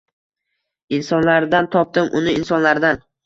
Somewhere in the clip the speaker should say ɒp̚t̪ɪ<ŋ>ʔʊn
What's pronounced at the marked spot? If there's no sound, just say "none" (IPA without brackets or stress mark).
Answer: m